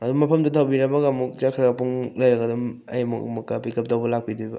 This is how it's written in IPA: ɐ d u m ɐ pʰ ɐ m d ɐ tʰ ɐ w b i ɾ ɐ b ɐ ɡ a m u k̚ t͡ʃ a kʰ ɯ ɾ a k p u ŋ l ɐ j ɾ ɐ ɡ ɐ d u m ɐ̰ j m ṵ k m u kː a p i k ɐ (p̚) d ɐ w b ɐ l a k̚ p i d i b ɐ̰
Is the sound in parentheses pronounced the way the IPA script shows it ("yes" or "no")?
yes